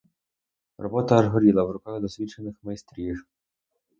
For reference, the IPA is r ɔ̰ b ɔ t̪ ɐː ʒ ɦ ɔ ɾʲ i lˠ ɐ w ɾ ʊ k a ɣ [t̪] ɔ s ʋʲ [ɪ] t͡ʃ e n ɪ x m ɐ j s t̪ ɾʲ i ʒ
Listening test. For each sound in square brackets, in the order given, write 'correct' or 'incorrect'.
incorrect, incorrect

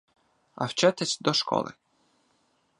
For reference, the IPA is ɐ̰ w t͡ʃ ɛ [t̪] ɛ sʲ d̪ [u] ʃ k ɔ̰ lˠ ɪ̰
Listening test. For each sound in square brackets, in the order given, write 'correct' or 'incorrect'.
correct, incorrect

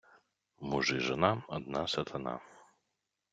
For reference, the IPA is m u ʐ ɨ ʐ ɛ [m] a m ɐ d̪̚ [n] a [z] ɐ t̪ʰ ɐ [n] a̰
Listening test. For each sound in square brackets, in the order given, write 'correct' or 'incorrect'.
incorrect, correct, incorrect, correct

